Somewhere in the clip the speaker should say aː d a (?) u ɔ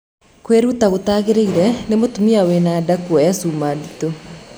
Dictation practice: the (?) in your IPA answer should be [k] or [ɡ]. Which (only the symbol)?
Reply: k